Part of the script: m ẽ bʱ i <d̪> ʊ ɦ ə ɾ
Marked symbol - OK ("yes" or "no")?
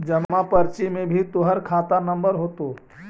no